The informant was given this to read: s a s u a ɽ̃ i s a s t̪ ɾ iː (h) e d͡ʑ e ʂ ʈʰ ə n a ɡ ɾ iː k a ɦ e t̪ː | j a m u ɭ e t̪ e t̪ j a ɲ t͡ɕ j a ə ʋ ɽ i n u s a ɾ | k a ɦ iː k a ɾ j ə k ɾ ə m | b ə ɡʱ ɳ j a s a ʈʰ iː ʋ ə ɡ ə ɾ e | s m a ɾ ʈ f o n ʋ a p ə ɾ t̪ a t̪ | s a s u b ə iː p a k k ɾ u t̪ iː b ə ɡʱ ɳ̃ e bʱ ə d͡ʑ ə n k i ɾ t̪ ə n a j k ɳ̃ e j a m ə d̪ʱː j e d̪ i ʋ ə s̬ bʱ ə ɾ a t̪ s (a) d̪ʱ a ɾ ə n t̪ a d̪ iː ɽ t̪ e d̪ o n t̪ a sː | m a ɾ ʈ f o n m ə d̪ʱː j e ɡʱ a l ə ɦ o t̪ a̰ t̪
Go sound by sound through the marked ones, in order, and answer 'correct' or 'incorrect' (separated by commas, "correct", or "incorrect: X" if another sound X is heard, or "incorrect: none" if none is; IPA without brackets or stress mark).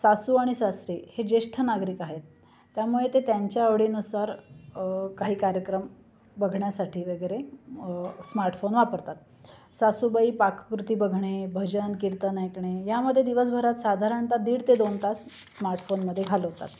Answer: correct, correct